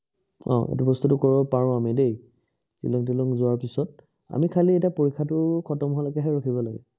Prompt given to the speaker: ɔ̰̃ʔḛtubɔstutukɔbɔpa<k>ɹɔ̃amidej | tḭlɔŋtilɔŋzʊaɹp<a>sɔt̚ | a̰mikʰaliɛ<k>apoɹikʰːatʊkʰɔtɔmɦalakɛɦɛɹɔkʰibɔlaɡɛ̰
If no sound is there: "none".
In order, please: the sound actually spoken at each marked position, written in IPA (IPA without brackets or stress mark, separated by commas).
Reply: none, i, t